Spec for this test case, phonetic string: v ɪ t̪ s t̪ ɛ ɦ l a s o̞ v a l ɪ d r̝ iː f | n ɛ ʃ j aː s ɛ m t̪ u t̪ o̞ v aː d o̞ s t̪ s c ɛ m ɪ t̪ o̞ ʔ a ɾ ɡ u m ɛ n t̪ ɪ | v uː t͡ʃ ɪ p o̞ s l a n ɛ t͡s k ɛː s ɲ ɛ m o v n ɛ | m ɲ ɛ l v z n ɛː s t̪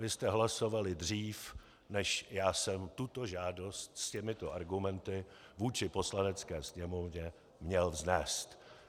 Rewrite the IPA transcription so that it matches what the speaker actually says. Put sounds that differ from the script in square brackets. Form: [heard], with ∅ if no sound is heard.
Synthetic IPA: v ɪ [∅] s t̪ ɛ ɦ l a s o̞ v a l ɪ d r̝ iː f | n ɛ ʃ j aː s ɛ m t̪ u t̪ o̞ [ʒ] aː d o̞ s t̪ s c ɛ m ɪ t̪ o̞ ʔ a ɾ ɡ u m ɛ n t̪ ɪ | v uː t͡ʃ ɪ p o̞ s l a n ɛ t͡s k ɛː s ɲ ɛ m o v [ɲ] ɛ | m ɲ ɛ l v z n ɛː s t̪